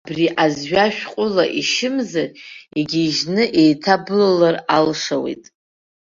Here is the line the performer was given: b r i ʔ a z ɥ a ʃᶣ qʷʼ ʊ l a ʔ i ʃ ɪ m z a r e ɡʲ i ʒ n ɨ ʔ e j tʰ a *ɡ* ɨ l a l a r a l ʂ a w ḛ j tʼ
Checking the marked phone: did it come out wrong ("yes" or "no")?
yes